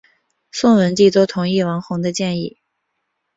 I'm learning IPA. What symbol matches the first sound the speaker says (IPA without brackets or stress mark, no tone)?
s